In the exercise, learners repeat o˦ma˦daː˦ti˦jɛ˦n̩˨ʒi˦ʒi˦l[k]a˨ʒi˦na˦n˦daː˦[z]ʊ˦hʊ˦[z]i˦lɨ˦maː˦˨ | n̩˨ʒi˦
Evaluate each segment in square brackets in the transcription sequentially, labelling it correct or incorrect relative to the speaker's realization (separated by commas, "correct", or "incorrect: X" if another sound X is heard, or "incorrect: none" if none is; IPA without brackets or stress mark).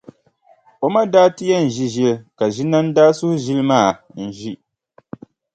correct, incorrect: s, incorrect: ʒ